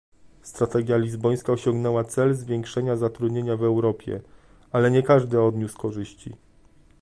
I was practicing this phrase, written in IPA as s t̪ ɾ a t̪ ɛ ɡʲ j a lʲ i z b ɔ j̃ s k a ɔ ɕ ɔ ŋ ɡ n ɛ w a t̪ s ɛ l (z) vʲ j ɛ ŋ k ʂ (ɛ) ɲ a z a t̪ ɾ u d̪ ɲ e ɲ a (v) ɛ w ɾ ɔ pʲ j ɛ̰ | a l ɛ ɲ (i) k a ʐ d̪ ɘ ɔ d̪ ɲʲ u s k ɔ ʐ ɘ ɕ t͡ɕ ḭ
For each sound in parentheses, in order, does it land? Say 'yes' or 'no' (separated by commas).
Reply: yes, yes, yes, no